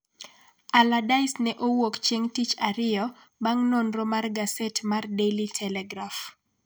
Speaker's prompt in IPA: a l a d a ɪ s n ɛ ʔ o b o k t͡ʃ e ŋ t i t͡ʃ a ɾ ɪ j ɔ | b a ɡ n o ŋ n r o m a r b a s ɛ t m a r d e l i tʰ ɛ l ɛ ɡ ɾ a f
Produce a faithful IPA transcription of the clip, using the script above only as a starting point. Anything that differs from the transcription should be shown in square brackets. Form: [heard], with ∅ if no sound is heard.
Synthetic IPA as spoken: a l a d a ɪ s n ɛ ʔ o [w] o k t͡ʃ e ŋ t i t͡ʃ a ɾ ɪ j ɔ | b a [ŋ] n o [∅] n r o m a r [ɡ] a s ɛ t m a r d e l i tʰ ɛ l ɛ ɡ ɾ a f